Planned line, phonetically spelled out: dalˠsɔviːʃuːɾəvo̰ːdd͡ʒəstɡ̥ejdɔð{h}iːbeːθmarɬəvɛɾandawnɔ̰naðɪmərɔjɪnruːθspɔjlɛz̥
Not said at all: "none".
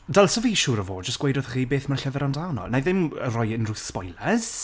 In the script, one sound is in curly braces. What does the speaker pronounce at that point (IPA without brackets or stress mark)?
χ